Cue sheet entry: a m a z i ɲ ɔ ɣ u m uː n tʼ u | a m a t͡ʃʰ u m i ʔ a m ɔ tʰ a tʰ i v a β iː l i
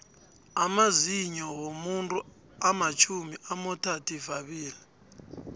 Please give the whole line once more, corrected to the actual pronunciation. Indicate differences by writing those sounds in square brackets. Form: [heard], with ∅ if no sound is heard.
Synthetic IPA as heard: a m a z i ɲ ɔ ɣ [o] m [u] n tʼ u | a m a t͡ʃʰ u m i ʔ a m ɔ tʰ a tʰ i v a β iː l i